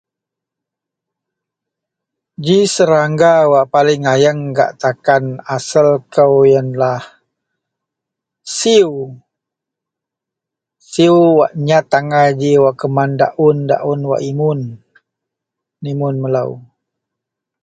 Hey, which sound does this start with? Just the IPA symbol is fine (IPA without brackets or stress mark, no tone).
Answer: d͡ʒ